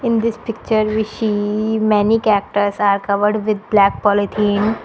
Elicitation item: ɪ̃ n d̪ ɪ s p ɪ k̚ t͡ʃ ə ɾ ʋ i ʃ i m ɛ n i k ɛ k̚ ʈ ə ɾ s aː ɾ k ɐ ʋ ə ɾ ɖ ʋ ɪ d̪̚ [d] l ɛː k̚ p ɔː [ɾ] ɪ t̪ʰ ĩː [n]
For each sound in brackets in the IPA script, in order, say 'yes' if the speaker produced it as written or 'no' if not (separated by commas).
no, no, yes